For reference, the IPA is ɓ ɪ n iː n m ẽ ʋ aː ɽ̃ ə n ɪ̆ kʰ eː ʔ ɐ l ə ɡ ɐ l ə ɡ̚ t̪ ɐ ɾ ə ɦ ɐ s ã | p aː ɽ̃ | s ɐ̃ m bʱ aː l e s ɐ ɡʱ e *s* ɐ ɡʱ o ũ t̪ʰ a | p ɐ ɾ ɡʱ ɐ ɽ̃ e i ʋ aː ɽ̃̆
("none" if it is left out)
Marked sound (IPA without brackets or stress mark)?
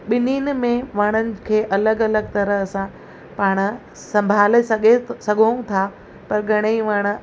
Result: s